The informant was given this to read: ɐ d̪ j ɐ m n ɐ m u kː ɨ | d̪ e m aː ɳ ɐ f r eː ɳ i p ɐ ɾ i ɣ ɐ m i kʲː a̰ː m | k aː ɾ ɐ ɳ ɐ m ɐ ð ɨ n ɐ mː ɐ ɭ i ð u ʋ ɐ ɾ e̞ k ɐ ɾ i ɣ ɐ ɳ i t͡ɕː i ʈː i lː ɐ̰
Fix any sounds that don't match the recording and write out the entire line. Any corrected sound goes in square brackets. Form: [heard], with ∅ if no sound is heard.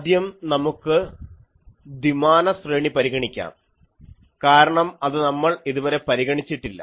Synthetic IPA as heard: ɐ d̪ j ɐ m n ɐ m u kː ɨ | d̪ [i] m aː [n] ɐ [s] r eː ɳ i p ɐ ɾ i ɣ ɐ [ɳ] i kʲː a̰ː m | k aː ɾ ɐ ɳ ɐ m ɐ ð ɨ n ɐ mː ɐ ɭ i ð u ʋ ɐ ɾ e̞ [p] ɐ ɾ i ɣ ɐ ɳ i t͡ɕː i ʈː i lː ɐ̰